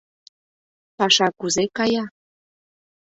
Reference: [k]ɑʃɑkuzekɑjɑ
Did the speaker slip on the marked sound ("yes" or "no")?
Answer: yes